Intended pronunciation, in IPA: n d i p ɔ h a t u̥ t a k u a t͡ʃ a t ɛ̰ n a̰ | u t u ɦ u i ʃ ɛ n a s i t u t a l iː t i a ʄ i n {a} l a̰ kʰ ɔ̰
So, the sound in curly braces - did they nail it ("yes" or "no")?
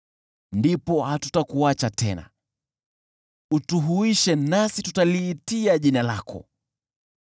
yes